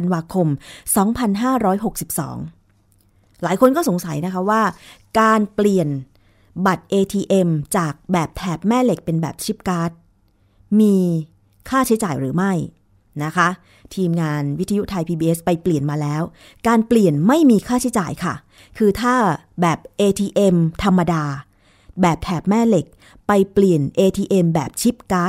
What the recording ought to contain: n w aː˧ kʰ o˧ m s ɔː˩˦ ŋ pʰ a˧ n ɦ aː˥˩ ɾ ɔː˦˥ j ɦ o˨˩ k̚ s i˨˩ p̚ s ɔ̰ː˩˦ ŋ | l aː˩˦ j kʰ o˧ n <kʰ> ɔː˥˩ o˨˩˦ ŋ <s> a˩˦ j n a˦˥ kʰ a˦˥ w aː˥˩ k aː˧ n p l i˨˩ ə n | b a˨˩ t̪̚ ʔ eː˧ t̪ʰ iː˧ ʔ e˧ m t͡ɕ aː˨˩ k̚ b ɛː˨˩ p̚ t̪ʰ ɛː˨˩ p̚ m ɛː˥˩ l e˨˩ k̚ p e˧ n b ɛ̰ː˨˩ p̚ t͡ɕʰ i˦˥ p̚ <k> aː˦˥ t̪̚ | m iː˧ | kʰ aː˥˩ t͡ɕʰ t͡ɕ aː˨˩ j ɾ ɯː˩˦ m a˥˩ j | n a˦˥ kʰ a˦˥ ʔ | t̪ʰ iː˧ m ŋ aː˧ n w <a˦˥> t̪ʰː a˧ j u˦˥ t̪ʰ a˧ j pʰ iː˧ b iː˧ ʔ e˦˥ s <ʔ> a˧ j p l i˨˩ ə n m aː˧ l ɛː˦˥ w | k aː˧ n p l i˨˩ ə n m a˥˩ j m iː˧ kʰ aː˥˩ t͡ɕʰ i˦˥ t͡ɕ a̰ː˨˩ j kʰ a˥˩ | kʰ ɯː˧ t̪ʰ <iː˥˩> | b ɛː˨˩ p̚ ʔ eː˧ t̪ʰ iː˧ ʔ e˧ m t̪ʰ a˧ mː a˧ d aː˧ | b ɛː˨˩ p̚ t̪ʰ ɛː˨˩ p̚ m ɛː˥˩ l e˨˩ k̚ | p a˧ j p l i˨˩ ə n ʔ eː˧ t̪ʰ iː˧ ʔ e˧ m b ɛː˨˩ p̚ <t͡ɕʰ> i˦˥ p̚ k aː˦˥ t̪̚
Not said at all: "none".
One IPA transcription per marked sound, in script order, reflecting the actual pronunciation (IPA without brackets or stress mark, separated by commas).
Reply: k, s, k, i˦˥, p, aː˥˩, t͡ɕʰ